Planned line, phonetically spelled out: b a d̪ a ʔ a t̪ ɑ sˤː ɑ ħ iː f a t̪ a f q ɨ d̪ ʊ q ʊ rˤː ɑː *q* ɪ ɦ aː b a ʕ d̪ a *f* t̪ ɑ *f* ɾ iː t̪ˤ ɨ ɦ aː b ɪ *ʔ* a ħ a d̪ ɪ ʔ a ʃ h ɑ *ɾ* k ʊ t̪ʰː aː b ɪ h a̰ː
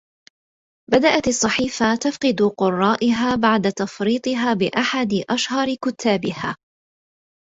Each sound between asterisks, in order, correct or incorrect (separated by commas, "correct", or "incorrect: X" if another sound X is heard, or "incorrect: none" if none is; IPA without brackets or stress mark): incorrect: ʔ, incorrect: none, correct, correct, correct